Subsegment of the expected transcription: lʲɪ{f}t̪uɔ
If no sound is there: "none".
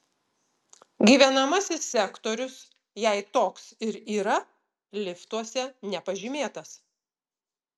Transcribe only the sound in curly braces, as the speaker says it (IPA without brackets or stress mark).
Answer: f